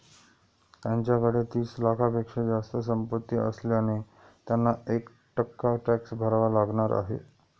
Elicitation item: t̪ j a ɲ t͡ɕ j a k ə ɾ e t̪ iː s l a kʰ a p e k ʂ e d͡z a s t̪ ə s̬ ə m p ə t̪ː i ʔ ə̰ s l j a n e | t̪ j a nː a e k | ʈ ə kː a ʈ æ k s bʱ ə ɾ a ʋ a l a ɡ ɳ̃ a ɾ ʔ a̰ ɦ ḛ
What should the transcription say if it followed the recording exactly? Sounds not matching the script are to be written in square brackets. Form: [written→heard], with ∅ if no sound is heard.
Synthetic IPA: t̪ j a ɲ t͡ɕ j a k ə [ɾ→ɽ] e t̪ iː s l a kʰ a p e k ʂ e d͡z a s t̪ ə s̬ ə m p ə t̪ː i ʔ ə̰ s l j a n e | t̪ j a nː a e k | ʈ ə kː a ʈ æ k s bʱ ə ɾ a ʋ a l a ɡ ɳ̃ a ɾ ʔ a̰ ɦ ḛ

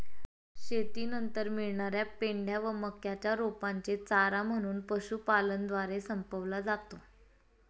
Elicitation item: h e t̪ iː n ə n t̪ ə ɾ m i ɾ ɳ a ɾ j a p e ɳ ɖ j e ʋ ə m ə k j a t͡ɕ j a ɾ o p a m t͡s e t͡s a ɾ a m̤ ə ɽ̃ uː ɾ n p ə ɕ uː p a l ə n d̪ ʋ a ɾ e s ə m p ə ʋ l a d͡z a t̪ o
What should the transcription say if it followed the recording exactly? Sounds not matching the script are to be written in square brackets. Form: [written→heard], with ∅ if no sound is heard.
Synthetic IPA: [h→ɕ] e t̪ iː n ə n t̪ ə ɾ m i [ɾ→ɭ] ɳ a ɾ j a p e ɳ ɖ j [e→a] ʋ ə m ə k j a t͡ɕ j a ɾ o p a [m→ɲ] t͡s e t͡s a ɾ a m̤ ə ɽ̃ uː [ɾ→∅] n p ə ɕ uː p a l ə n d̪ ʋ a ɾ e s ə m p ə ʋ l a d͡z a t̪ o

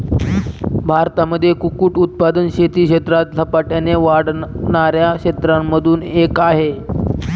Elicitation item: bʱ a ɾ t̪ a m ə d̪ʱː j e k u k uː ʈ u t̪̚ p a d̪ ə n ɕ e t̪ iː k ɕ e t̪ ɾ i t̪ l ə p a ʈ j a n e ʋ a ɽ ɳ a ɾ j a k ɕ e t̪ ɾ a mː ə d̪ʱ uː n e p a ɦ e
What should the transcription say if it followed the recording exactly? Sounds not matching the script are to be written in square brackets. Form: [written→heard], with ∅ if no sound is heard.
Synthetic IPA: bʱ a ɾ t̪ a m ə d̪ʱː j e k u k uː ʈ u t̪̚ p a d̪ ə n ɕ e t̪ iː k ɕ e t̪ ɾ [i→a] t̪ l ə p a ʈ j a n e ʋ a ɽ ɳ a ɾ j a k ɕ e t̪ ɾ a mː ə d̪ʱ uː n e [p→k] a ɦ e

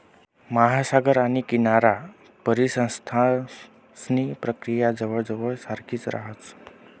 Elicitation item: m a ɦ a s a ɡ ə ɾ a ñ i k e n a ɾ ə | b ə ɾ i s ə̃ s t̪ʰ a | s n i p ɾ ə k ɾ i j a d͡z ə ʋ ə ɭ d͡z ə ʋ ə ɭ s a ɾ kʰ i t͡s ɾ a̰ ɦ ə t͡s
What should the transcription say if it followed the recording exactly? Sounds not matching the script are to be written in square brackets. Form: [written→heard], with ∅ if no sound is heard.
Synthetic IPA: m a ɦ a s a ɡ ə ɾ a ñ i k [e→i] n a ɾ [ə→a] | [b→p] ə ɾ i s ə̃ s t̪ʰ a | s n i p ɾ ə k ɾ i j a d͡z ə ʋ ə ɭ d͡z ə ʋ ə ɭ s a ɾ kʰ i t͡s ɾ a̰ ɦ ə t͡s

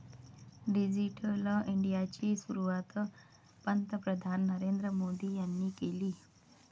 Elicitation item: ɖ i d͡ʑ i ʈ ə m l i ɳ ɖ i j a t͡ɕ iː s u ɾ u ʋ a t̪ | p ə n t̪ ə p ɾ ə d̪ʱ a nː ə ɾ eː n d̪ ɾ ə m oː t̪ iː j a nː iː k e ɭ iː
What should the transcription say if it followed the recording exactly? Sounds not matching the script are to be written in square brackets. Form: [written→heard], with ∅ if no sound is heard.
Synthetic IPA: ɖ i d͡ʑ i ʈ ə [m→∅] l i ɳ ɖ i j a t͡ɕ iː s u ɾ u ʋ a t̪ | p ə n t̪ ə p ɾ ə d̪ʱ a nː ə ɾ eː n d̪ ɾ ə m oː [t̪→d̪] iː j a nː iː k e [ɭ→l] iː

